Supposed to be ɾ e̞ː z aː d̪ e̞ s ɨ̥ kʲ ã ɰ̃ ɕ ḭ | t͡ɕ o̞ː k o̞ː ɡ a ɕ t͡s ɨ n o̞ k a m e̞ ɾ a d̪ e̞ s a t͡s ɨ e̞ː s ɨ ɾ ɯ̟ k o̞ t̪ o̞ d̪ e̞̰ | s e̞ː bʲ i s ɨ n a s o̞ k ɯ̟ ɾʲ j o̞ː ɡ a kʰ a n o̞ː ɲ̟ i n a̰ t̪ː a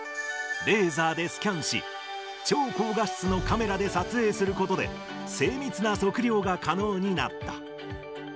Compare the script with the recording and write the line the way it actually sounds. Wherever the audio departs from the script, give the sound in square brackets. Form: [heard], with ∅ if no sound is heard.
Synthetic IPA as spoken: ɾ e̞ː z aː d̪ e̞ s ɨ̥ kʲ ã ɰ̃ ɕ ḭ | t͡ɕ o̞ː k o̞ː ɡ a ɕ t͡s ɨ n o̞ k a m e̞ ɾ a d̪ e̞ s a t͡s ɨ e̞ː s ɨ ɾ ɯ̟ k o̞ t̪ o̞ d̪ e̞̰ | s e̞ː [mʲ] i [t͡s] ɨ n a s o̞ k ɯ̟ ɾʲ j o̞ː ɡ a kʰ a n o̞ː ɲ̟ i n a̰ t̪ː a